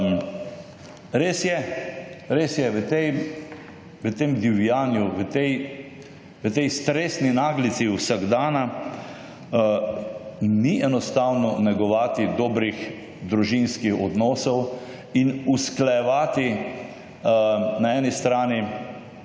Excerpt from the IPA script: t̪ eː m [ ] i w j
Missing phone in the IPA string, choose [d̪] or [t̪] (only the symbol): d̪